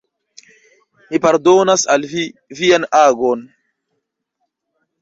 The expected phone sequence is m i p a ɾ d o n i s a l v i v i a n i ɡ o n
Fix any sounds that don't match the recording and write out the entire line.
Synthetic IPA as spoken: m i p a ɾ d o n a s a l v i v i a n a ɡ o n